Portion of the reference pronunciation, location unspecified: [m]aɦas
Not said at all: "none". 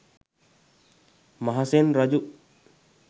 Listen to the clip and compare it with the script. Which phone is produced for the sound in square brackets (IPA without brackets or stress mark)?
m